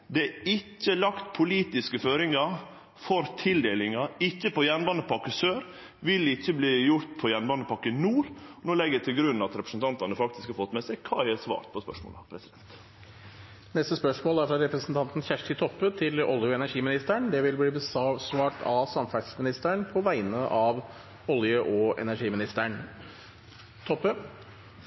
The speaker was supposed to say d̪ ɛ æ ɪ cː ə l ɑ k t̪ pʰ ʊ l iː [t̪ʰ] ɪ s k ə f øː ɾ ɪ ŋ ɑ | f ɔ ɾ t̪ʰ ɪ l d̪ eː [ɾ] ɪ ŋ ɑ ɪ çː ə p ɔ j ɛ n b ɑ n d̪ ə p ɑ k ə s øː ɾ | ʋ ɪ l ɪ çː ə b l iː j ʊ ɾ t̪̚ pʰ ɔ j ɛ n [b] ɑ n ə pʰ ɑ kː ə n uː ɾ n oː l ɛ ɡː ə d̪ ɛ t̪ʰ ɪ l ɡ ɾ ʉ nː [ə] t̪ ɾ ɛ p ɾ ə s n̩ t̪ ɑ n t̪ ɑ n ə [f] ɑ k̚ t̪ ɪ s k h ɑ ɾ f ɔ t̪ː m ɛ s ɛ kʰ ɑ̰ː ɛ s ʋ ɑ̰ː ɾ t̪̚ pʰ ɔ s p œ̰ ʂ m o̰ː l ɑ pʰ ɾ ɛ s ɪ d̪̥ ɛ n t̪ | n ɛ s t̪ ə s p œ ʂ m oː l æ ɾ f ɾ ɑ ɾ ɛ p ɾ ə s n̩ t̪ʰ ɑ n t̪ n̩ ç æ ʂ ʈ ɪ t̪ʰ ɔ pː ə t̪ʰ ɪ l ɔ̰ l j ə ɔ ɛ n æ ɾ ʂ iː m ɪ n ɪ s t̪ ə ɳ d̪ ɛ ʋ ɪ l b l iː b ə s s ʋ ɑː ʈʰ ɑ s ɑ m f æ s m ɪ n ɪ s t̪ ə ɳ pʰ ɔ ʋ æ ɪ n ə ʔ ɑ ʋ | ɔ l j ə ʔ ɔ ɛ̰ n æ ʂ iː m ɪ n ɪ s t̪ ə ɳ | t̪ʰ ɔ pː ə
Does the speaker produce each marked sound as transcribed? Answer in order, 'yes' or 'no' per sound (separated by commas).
no, no, yes, no, yes